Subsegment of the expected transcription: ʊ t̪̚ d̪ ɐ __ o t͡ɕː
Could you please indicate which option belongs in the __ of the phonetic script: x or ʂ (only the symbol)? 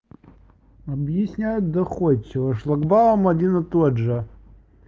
x